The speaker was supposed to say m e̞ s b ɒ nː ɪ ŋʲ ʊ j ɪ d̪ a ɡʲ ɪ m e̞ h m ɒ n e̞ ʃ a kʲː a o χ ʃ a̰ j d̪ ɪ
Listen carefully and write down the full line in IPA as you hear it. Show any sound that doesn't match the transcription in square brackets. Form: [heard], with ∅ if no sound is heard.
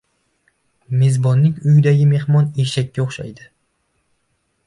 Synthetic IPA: m e̞ [z] b ɒ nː ɪ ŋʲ ʊ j ɪ d̪ a ɡʲ ɪ m e̞ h m ɒ n e̞ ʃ a kʲː a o χ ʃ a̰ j d̪ ɪ

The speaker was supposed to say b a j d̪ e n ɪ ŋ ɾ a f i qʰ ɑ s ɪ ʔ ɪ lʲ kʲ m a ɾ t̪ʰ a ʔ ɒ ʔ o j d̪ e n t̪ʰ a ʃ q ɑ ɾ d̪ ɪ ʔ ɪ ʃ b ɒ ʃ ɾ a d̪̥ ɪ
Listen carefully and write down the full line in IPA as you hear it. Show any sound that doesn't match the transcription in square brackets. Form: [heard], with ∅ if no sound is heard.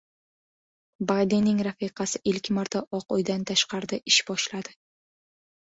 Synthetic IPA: b a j d̪ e n ɪ ŋ ɾ a f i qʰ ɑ s ɪ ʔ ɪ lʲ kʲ m a ɾ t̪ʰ a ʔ ɒ [q] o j d̪ [a] n t̪ʰ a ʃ q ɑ ɾ d̪ ɪ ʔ ɪ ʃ b ɒ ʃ [l] a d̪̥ ɪ

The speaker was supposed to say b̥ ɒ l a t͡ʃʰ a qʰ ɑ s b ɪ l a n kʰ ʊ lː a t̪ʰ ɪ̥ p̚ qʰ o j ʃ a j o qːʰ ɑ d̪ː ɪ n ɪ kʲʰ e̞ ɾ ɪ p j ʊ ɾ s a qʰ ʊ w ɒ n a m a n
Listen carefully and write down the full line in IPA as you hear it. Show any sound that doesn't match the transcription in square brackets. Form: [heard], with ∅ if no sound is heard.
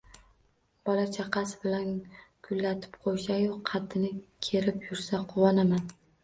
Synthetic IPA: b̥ ɒ l a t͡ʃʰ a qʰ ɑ s b ɪ l a n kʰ ʊ lː a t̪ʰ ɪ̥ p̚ qʰ o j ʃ a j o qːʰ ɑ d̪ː ɪ n ɪ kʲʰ e̞ ɾ ɪ p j ʊ ɾ s a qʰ ʊ w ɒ n a m a n

